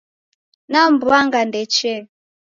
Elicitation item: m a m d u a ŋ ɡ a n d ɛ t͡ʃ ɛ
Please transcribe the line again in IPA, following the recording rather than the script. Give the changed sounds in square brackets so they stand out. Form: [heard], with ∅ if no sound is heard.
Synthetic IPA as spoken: [n] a m [b] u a ŋ ɡ a n d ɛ t͡ʃ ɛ